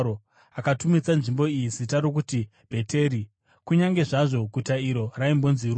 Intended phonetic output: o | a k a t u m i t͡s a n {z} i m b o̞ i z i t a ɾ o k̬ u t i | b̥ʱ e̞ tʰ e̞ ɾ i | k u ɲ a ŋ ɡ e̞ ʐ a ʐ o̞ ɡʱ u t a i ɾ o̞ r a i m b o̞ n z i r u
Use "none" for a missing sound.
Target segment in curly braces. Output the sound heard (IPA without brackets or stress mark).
ʐ